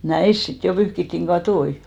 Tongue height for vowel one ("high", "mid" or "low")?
low